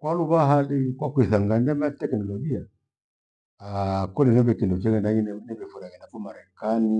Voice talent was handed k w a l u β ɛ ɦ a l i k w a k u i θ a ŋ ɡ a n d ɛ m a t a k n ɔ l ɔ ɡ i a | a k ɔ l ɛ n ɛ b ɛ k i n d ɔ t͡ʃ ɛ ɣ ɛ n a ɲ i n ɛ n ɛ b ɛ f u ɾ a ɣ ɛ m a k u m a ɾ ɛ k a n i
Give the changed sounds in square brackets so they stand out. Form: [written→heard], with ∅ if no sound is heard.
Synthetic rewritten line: k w a l u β [ɛ→a] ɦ a l i k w a k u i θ a ŋ ɡ a n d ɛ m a t [a→ɛ] k n ɔ l ɔ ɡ i a | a k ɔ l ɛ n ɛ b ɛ k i n d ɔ t͡ʃ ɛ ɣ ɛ n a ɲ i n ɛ n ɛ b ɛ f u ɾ a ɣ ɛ [m→n] a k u m a ɾ ɛ k a n i